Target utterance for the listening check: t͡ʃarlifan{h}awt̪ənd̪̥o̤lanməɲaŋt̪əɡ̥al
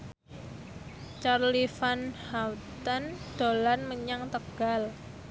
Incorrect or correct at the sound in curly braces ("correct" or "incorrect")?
correct